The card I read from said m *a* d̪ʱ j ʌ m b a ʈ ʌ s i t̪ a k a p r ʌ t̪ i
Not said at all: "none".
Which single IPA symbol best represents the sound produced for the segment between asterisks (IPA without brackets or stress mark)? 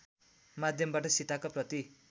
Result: a